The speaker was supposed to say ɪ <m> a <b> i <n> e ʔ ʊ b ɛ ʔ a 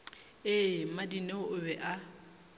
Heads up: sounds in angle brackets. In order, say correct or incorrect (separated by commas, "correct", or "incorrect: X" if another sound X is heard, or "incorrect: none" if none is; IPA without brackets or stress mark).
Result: correct, incorrect: d, correct